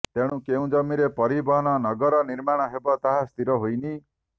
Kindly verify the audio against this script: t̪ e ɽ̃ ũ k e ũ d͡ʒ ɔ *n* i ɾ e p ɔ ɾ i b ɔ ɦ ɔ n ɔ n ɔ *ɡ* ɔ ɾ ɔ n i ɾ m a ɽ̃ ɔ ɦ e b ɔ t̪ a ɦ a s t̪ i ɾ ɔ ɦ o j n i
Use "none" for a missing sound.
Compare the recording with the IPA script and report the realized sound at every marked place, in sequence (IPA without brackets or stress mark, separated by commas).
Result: m, ɡ